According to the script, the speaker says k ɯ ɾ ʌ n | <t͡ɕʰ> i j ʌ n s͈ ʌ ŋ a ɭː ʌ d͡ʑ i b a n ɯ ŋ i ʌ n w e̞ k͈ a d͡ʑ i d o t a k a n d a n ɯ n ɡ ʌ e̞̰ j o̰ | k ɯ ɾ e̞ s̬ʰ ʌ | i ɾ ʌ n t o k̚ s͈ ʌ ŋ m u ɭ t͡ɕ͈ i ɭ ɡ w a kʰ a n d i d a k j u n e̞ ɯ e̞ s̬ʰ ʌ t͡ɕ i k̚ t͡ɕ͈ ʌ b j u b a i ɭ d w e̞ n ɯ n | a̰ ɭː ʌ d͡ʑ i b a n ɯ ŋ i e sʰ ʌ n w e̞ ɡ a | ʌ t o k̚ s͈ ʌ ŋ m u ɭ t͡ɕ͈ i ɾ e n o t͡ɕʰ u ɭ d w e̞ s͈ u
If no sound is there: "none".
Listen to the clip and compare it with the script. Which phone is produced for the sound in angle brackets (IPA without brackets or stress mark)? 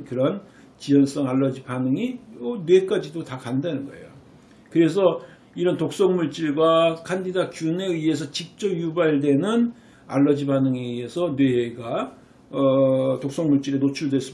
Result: t͡ɕ